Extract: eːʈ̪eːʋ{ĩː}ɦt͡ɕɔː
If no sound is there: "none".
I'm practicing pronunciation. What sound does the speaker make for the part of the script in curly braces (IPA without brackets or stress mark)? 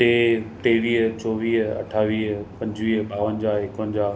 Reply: iː